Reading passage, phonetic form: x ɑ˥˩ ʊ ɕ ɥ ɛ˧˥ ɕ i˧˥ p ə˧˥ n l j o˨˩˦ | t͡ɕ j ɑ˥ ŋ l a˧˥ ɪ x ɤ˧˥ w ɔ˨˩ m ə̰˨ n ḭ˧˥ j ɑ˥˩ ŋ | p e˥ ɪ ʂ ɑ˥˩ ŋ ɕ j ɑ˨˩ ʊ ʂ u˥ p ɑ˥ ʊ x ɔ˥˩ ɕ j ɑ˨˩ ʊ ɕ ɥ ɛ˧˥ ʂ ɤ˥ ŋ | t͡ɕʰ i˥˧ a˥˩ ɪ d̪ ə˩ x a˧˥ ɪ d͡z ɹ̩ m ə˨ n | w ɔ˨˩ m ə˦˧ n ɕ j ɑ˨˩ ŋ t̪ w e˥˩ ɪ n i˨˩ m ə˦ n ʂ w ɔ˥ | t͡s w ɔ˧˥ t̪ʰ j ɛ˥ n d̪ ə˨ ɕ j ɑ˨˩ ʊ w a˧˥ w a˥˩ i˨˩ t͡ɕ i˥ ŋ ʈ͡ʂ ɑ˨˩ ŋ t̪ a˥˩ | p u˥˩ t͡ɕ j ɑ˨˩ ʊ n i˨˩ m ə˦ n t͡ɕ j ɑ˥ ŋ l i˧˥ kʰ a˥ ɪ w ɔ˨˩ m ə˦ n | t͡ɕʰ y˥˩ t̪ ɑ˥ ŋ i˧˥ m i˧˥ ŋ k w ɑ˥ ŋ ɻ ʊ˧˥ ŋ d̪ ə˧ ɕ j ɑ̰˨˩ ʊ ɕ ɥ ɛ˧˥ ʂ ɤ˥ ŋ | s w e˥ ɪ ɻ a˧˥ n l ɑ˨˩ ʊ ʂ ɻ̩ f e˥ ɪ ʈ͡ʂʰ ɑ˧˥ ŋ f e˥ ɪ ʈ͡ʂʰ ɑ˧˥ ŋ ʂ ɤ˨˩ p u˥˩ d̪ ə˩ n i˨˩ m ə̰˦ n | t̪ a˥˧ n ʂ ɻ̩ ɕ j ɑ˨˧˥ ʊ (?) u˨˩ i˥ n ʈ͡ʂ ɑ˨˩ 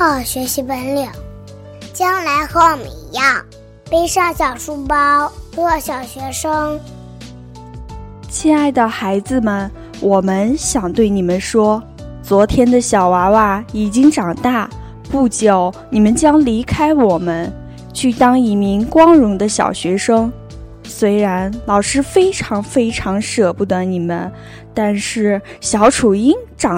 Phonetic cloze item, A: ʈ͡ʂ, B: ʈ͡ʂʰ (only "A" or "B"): B